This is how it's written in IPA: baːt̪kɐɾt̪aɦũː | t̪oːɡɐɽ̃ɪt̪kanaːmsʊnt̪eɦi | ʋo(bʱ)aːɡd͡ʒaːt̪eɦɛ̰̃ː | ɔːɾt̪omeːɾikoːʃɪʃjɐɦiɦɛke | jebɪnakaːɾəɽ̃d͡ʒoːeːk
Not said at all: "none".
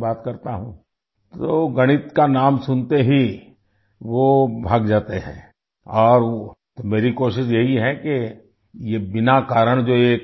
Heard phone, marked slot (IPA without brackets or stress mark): bʱ